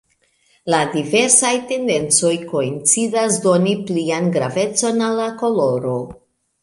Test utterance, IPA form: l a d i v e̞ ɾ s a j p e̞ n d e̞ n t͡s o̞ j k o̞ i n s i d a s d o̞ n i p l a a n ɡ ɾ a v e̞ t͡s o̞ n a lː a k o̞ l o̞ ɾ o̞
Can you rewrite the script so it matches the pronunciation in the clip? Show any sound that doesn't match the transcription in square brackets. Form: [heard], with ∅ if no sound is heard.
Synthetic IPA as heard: l a d i v e̞ ɾ s a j [t] e̞ n d e̞ n t͡s o̞ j k o̞ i n [t͡s] i d a s d o̞ n i p l [i] a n ɡ ɾ a v e̞ t͡s o̞ n a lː a k o̞ l o̞ ɾ o̞